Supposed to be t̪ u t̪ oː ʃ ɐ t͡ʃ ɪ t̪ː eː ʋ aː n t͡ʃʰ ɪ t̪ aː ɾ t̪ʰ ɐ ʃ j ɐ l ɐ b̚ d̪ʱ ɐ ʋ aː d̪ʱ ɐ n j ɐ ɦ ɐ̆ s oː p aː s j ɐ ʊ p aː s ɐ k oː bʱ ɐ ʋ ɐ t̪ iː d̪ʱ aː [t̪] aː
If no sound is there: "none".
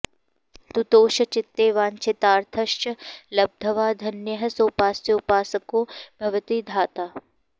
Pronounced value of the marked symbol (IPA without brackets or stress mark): t̪